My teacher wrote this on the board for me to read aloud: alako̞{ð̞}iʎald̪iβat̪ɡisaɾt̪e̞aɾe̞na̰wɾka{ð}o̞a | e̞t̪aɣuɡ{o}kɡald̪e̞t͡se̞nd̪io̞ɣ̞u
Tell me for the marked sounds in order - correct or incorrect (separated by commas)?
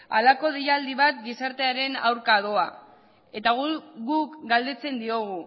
correct, correct, incorrect